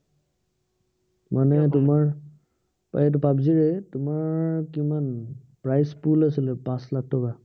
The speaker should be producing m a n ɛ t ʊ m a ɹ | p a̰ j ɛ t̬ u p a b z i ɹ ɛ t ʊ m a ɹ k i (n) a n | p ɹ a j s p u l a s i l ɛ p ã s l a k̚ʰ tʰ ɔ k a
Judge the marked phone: incorrect: m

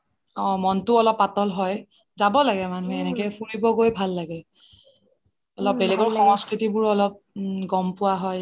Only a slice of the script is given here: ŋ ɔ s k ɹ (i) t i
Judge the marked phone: correct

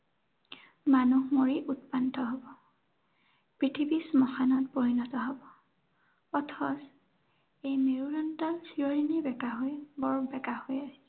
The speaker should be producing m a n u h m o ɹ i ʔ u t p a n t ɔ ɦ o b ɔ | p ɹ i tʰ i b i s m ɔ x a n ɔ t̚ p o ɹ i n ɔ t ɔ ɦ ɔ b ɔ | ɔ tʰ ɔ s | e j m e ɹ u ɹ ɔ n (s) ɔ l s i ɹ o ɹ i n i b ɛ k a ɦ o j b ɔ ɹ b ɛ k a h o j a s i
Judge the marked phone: incorrect: t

